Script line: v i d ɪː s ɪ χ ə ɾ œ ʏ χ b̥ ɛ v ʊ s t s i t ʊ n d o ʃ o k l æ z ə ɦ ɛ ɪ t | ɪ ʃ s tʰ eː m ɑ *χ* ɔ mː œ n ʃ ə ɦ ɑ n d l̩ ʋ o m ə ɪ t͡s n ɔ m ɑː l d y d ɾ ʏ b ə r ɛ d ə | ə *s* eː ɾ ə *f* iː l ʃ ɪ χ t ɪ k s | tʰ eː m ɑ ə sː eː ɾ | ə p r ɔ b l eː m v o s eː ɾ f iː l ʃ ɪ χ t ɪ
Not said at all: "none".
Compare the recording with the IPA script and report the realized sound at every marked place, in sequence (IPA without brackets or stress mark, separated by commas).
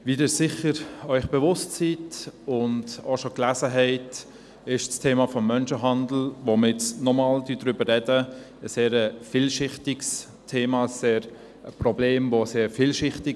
f, s, f